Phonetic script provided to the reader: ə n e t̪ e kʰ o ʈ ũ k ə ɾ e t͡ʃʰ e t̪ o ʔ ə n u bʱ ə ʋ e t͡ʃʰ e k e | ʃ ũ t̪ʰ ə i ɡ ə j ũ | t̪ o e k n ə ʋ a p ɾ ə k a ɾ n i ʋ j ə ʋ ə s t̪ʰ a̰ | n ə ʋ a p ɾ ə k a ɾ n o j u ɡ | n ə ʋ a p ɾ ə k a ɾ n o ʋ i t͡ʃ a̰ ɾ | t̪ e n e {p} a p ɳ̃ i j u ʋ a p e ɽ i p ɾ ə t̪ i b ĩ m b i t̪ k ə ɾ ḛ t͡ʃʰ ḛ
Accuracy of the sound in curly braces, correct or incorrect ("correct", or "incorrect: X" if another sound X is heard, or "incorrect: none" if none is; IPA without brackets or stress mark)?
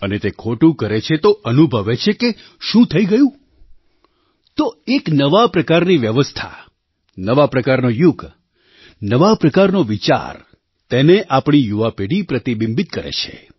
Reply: incorrect: ʔ